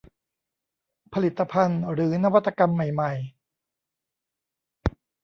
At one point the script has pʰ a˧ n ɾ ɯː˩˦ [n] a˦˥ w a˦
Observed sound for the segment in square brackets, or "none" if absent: n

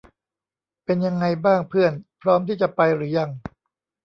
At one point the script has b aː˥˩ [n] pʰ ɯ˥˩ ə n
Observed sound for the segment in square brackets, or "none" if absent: ŋ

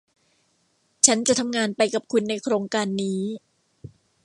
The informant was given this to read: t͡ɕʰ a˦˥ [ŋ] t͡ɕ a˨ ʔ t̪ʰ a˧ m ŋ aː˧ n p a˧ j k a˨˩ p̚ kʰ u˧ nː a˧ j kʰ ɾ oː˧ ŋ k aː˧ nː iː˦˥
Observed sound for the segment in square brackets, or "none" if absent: n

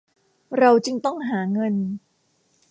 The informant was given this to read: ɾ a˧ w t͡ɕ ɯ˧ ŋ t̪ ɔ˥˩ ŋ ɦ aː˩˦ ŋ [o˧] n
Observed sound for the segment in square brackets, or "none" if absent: ɤ˧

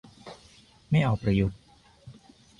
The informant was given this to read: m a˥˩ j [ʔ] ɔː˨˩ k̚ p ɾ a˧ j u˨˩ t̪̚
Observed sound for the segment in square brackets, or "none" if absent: ʔ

